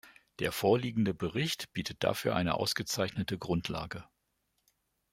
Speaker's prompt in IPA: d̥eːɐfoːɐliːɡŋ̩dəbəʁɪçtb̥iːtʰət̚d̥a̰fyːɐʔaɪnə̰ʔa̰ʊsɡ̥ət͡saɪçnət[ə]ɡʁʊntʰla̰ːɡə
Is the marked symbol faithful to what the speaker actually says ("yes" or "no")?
yes